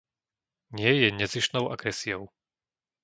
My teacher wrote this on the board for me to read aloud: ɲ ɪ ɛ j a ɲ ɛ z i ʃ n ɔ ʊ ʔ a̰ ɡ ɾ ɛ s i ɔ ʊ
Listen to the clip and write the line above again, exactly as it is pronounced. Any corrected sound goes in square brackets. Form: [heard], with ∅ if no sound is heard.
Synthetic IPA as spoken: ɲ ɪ ɛ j [ɛ] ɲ ɛ z i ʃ n ɔ ʊ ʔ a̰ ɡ ɾ ɛ s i ɔ ʊ